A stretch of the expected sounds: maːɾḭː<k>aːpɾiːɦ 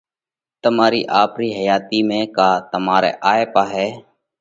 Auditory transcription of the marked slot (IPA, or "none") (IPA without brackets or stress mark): ʔ